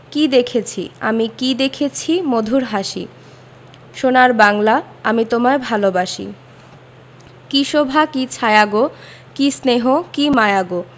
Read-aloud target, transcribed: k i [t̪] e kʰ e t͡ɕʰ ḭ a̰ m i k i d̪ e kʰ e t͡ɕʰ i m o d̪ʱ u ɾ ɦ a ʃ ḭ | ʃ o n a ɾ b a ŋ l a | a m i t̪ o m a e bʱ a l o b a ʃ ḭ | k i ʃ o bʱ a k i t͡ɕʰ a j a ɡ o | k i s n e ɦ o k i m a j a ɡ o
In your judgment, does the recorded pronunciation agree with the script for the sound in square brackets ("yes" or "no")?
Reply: no